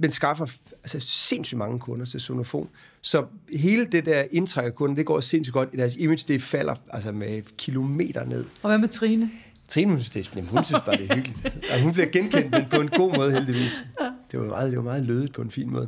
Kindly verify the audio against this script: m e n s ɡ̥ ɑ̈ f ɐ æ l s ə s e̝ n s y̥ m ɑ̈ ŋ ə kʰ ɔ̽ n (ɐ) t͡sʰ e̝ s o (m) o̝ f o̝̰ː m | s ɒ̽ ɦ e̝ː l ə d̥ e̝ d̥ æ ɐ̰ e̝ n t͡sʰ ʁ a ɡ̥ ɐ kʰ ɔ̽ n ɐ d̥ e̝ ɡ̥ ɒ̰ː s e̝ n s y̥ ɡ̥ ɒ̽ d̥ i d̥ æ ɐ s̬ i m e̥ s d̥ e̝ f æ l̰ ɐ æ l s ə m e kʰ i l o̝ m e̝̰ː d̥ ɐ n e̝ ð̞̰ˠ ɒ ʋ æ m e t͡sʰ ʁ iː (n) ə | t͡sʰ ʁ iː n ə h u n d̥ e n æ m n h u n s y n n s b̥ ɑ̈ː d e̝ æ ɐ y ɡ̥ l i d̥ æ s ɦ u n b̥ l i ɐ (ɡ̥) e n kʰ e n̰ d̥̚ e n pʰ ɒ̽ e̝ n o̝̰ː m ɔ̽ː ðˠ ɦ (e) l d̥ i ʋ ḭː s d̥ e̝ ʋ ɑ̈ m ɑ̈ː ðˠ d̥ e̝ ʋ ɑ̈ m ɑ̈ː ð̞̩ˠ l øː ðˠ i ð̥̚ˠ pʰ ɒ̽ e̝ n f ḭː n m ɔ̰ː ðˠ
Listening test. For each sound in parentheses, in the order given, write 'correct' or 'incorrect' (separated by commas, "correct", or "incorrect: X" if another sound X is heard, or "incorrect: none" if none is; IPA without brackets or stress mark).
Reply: correct, incorrect: n, correct, correct, correct